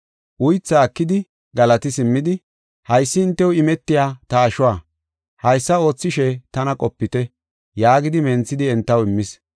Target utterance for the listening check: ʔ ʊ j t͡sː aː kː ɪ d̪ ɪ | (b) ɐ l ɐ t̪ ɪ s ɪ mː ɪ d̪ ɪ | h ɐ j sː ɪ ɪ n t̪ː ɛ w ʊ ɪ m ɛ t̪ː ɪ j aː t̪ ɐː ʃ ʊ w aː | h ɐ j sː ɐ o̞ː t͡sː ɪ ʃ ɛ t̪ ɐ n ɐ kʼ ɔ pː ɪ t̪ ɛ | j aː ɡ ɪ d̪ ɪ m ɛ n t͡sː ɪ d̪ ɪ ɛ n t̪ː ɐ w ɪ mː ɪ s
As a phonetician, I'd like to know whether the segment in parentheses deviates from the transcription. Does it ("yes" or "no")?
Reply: yes